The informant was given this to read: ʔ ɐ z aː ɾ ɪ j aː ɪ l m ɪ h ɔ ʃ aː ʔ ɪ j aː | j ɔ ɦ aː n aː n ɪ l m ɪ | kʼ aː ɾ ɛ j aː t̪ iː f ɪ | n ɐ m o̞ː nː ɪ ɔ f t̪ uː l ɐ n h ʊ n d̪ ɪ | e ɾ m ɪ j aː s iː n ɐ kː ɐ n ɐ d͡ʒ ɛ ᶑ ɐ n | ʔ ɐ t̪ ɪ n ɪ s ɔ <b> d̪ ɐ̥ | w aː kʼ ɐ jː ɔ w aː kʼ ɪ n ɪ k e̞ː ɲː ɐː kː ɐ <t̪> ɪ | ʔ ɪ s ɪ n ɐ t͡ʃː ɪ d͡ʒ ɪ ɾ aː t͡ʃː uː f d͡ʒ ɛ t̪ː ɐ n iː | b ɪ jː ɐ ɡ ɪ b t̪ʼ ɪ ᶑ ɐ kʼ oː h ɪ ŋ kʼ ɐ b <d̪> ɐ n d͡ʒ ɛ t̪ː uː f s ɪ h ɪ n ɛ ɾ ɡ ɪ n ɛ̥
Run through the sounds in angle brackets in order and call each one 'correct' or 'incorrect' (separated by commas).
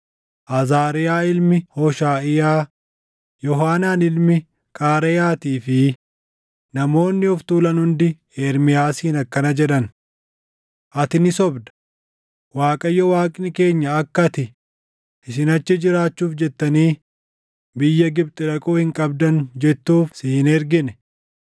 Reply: correct, correct, correct